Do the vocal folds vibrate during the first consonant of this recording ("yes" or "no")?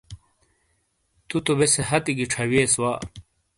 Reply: no